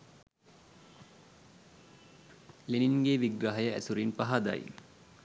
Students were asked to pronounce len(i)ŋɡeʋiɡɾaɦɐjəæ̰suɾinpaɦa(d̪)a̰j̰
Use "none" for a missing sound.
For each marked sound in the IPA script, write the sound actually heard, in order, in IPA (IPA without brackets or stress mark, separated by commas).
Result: i, d̪